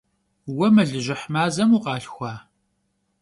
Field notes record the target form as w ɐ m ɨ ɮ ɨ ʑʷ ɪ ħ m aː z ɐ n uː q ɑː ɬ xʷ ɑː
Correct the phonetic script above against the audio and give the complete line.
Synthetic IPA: w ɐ m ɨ ɮ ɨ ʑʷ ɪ ħ m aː z ɐ m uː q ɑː ɬ xʷ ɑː